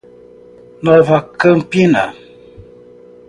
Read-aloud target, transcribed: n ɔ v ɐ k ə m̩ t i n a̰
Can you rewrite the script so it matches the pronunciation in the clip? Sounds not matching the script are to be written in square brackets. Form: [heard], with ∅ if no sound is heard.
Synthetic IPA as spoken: n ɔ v [a] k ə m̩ [p] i n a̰